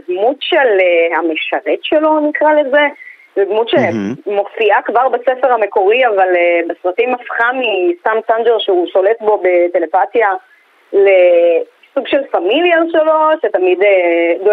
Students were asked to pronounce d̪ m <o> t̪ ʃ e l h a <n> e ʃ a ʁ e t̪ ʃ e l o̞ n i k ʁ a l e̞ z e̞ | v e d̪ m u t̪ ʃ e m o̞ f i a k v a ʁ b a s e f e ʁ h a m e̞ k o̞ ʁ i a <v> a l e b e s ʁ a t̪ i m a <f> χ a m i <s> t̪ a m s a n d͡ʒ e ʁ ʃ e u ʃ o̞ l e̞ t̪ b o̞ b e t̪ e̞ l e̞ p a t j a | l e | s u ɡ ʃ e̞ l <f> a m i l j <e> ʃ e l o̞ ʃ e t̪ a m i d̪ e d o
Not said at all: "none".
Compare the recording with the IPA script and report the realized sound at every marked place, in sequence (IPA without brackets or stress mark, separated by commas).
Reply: u, m, v, f, s, f, a